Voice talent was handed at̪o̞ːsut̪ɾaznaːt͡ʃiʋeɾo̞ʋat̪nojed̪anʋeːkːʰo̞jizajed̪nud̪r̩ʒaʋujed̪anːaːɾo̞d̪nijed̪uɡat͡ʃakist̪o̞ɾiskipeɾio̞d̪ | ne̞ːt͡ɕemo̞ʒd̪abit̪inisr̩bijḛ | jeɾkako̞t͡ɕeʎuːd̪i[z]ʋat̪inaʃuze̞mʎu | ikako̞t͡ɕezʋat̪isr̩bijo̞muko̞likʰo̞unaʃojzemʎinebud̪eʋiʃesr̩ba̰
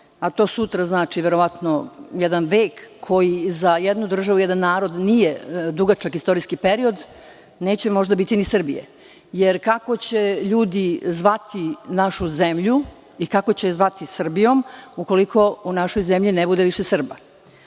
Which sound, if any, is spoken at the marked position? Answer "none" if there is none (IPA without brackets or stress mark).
z